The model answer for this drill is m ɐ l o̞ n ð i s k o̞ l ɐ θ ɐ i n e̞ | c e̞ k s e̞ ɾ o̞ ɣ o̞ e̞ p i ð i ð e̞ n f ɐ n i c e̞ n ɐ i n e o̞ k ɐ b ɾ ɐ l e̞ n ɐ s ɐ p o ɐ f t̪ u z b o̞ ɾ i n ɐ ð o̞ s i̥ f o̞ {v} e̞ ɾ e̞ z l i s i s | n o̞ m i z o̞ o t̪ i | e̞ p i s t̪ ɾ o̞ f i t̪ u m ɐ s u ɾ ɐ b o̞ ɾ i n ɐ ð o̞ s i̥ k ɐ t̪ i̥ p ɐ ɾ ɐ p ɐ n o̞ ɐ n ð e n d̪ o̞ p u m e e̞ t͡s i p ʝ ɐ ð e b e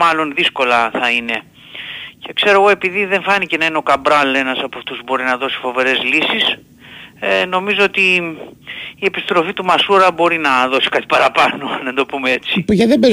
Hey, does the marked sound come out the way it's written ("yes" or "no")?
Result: yes